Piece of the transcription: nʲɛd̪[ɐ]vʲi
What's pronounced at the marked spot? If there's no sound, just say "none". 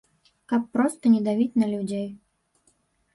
a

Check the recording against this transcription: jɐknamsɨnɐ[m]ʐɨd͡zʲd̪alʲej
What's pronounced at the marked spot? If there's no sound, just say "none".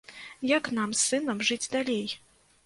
m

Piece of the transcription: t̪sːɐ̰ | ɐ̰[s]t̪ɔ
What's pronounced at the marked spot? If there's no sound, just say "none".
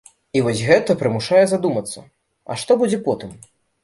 ʂ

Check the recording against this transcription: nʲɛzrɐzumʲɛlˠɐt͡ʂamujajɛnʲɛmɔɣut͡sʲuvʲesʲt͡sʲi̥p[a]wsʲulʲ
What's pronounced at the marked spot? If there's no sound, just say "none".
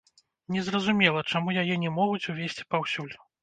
a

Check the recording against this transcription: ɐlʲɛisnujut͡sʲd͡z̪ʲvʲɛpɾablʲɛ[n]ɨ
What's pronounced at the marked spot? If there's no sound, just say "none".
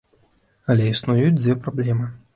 m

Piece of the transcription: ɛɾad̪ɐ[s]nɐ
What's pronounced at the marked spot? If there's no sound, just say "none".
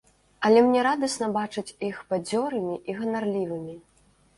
s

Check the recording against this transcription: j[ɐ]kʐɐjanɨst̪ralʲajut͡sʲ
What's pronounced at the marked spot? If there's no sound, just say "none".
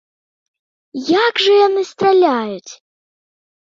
a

